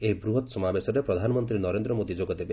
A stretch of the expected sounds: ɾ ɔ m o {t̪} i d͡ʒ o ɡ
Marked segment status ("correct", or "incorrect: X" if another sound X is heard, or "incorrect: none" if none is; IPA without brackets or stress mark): incorrect: d̪